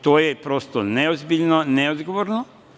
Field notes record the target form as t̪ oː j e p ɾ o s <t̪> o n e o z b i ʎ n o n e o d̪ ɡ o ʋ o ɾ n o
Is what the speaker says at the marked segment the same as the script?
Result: yes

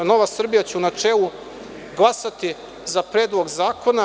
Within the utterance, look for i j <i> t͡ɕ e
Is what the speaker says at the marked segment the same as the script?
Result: no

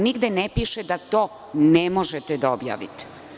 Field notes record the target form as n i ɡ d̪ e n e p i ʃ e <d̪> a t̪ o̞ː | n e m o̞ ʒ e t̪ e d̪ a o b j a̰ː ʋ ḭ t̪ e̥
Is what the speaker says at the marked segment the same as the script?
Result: yes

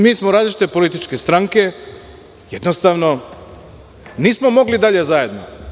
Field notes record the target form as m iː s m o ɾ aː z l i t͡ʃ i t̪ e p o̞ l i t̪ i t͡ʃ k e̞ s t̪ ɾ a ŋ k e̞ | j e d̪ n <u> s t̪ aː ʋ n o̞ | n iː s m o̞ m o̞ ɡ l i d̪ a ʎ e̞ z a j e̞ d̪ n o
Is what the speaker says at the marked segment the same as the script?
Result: no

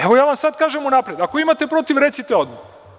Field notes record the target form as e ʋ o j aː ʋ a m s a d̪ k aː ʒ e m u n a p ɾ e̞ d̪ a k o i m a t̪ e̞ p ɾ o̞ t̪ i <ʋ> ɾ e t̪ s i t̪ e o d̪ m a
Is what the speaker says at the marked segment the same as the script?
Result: yes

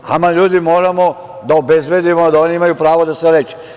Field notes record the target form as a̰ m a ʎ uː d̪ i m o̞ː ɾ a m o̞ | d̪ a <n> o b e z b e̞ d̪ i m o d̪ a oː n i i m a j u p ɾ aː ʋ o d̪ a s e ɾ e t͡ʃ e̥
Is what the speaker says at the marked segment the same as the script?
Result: no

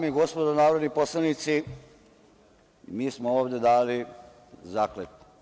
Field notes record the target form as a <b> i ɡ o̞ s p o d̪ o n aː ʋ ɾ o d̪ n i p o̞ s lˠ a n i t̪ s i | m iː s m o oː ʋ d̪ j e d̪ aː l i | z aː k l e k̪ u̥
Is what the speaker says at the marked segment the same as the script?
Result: no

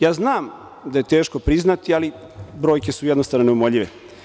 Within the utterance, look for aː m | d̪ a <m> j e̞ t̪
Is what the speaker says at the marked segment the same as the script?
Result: no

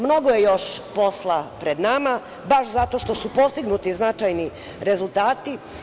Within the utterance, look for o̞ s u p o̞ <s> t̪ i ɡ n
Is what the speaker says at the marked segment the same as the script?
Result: yes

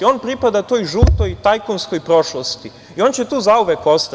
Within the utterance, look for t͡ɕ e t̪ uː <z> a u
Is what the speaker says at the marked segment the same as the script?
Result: yes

